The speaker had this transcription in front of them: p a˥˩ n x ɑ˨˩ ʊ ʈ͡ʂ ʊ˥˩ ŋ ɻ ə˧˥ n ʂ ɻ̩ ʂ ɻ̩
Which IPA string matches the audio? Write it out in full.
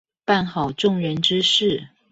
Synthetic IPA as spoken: p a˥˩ n x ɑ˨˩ ʊ ʈ͡ʂ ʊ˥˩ ŋ ɻ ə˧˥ n ʈ͡ʂ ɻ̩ ʂ ɻ̩